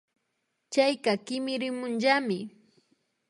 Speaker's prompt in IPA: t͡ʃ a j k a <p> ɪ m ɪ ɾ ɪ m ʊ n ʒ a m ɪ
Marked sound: incorrect: k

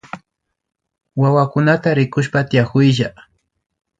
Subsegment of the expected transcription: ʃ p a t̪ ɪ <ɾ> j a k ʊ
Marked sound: incorrect: none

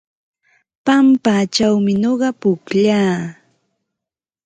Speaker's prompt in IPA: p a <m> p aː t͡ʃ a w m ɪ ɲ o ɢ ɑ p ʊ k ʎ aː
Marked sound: correct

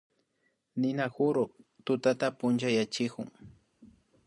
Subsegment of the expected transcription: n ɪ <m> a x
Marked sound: incorrect: n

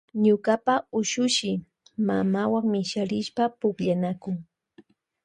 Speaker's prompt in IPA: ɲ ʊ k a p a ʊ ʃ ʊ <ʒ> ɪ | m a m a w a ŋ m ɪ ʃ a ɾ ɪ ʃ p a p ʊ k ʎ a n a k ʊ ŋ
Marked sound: incorrect: ʃ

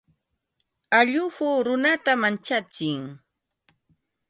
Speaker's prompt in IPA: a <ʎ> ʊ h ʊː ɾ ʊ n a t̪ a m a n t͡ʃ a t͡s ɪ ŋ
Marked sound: correct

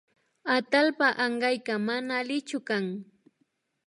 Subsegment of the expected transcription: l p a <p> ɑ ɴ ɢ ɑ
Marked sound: incorrect: ʔ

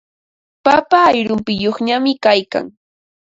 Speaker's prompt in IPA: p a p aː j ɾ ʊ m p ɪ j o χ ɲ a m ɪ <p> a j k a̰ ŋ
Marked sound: incorrect: k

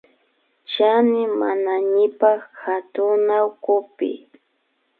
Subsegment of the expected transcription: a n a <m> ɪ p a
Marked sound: incorrect: ɲ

